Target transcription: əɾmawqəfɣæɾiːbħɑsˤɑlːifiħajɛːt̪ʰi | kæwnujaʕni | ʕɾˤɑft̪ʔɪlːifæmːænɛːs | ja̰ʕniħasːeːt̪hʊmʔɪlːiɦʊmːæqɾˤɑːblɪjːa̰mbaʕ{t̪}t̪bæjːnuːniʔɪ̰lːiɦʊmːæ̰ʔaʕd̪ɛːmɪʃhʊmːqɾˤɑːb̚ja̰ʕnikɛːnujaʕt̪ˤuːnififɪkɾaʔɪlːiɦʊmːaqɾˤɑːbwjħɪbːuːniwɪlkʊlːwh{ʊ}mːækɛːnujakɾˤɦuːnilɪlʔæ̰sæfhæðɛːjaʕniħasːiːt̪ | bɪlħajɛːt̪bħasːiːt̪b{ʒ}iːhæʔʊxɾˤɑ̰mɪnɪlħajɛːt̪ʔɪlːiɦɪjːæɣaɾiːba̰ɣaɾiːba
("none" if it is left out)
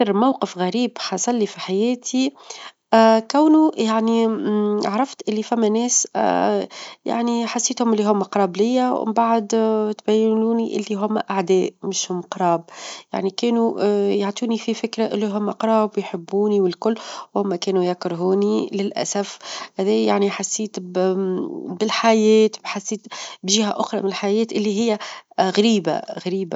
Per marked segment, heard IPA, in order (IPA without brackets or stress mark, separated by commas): d̪, ʊ, ʒ